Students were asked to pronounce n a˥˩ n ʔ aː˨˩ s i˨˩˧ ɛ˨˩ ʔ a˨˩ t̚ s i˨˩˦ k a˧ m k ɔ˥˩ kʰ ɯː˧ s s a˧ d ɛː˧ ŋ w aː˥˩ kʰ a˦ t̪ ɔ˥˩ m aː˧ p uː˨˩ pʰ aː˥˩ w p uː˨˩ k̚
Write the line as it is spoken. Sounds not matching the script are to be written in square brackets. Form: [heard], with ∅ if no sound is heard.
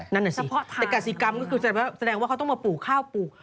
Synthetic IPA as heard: n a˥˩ n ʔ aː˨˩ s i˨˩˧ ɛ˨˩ [k] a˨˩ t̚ s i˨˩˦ k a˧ m k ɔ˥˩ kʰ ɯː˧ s s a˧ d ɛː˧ ŋ w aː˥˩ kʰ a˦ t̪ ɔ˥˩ m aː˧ p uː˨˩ [kʰ] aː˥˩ w p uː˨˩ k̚